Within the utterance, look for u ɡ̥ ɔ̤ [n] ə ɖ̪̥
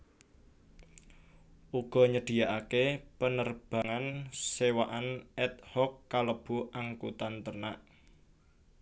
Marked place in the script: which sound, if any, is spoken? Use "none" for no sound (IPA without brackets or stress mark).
ɲ